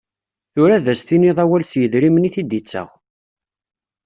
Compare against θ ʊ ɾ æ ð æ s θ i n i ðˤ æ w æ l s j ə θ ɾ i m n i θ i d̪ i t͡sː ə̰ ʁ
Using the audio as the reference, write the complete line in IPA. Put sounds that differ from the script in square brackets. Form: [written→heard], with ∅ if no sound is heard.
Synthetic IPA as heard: θ ʊ ɾ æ ð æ s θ i n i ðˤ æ w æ l s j ə [θ→ð] ɾ i m n i θ i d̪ i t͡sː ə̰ ʁ